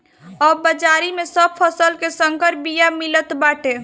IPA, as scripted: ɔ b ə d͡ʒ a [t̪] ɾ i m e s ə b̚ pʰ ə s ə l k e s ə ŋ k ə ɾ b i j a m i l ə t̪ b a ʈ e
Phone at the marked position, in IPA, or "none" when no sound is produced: none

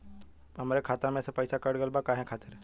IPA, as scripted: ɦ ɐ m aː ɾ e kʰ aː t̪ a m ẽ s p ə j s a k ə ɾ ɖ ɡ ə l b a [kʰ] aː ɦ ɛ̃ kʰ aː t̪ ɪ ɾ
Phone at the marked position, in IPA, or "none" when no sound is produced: k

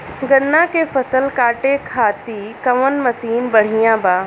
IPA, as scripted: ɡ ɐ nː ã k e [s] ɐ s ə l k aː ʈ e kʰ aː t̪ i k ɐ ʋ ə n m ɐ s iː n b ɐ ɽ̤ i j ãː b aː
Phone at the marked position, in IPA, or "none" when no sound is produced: f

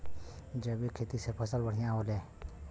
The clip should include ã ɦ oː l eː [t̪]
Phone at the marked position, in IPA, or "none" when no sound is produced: none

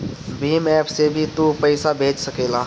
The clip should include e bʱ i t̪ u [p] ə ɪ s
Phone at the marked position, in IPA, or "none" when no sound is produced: p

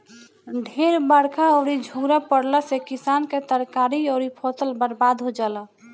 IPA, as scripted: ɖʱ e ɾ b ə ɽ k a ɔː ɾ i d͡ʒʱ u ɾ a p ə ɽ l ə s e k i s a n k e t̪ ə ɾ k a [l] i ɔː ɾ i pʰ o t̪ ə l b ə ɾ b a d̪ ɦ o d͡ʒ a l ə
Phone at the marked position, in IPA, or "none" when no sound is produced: ɾ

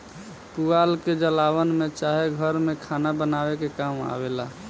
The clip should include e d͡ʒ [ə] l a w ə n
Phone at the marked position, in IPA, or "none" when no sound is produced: ə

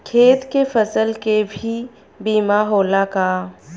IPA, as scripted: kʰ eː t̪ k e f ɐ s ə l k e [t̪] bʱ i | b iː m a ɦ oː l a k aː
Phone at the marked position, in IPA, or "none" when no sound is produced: none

